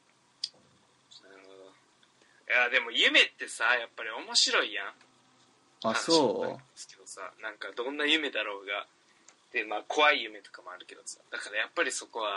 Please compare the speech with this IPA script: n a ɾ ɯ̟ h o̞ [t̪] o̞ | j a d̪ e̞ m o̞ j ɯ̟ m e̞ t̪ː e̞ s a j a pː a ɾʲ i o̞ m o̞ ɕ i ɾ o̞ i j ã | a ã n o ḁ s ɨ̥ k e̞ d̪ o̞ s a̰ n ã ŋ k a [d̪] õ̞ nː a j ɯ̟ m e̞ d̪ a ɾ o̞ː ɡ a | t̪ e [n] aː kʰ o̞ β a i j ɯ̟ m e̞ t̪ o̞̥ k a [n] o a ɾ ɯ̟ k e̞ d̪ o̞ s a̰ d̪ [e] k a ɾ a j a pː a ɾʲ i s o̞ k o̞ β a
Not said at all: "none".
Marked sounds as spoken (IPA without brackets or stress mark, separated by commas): d̪, d̪, m, m, a